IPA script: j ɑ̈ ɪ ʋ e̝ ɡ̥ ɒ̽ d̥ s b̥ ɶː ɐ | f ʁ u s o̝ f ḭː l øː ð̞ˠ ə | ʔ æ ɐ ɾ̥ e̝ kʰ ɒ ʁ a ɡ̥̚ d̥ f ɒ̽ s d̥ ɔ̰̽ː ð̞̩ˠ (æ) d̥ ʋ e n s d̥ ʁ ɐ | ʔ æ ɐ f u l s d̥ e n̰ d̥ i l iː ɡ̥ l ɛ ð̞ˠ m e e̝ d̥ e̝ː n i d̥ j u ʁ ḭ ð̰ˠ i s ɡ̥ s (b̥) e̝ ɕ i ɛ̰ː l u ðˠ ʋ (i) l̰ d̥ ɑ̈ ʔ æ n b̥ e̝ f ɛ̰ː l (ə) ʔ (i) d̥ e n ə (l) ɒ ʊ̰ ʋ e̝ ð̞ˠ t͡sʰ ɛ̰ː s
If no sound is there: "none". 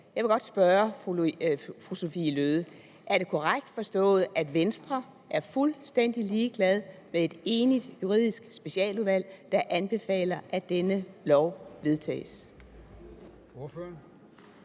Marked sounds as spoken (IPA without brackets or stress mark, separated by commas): æ, b̥, æ, ɐ, æ, l